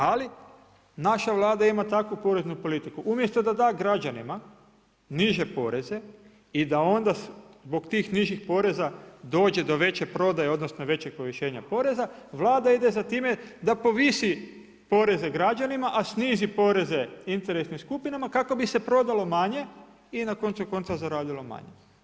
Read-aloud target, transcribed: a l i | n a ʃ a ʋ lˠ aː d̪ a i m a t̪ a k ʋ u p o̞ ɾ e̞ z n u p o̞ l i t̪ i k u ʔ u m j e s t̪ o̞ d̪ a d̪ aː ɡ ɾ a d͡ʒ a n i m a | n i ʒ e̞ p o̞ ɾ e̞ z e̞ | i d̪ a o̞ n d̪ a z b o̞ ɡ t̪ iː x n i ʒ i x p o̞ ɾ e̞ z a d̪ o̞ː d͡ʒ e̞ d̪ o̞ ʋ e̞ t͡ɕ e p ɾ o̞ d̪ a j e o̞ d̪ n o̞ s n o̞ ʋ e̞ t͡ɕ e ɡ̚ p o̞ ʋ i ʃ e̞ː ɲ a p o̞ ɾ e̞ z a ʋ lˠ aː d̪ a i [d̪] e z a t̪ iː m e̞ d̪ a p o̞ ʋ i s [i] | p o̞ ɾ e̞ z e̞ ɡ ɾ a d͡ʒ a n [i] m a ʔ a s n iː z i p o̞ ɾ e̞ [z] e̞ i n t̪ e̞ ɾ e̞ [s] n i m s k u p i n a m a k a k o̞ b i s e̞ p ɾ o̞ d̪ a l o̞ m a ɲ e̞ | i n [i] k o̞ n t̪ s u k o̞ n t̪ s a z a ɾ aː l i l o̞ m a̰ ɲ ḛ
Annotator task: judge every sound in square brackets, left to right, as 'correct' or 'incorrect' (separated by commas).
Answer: correct, correct, correct, correct, correct, incorrect